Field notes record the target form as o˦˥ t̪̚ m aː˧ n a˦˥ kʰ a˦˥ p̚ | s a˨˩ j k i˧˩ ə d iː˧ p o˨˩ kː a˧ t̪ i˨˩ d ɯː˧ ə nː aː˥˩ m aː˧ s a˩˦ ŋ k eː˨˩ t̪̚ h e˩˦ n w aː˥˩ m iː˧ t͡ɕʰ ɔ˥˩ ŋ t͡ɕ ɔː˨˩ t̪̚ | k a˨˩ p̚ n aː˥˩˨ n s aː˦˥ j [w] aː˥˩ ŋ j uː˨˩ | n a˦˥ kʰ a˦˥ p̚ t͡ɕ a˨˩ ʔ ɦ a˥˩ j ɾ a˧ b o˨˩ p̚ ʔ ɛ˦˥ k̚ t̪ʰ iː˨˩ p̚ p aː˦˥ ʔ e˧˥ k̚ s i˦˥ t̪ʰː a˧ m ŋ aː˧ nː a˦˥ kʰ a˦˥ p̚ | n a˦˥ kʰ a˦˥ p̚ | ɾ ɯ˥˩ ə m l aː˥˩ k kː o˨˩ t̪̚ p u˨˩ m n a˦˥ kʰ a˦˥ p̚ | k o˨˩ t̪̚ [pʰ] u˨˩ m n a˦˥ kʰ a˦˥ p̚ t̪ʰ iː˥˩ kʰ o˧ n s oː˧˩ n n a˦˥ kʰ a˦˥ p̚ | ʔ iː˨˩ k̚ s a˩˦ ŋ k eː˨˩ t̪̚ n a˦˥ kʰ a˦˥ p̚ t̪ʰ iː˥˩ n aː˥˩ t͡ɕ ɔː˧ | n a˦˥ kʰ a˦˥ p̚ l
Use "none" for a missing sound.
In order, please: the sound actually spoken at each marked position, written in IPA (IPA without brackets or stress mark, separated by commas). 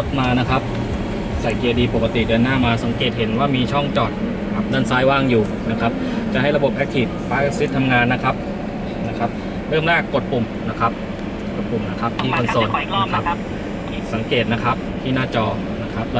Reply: w, p